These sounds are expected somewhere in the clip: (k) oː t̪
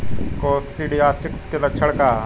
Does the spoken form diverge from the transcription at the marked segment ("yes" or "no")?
no